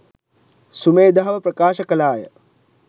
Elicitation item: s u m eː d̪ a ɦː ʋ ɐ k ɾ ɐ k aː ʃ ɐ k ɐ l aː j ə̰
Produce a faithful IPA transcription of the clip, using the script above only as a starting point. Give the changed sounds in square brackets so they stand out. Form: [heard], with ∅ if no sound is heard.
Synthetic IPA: s u m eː d̪ a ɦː ʋ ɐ [p] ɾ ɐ k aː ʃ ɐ k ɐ l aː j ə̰